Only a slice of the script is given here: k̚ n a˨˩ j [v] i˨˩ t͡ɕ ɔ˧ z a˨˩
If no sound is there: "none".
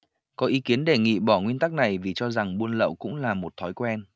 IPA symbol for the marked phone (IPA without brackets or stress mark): v